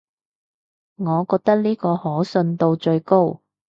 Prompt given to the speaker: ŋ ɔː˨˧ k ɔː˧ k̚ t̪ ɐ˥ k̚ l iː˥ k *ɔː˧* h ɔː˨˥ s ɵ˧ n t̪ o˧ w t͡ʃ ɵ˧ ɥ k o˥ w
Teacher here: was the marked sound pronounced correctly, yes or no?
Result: yes